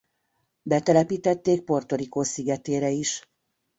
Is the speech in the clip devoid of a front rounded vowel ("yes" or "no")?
yes